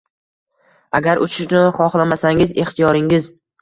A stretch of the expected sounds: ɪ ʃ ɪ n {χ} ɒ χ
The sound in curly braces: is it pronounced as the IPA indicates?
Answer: yes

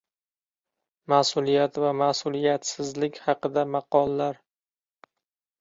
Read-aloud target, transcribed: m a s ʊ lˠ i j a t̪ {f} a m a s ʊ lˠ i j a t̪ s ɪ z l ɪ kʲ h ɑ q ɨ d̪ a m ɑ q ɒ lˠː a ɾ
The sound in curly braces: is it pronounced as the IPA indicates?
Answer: no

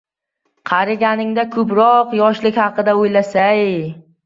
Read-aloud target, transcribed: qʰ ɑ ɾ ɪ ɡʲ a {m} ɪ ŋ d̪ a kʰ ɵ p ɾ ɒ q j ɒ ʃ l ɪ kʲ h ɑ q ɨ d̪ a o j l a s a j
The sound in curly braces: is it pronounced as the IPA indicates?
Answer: no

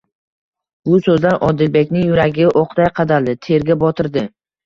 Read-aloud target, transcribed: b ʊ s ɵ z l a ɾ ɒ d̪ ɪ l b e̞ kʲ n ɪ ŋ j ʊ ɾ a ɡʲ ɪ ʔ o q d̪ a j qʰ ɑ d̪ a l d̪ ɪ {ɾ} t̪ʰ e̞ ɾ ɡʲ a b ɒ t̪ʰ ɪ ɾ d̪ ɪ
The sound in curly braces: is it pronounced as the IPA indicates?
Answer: no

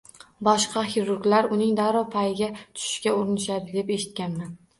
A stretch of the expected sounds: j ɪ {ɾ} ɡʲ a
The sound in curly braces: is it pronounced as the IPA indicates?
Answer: no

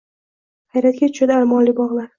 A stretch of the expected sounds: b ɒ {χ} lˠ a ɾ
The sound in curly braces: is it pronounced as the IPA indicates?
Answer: no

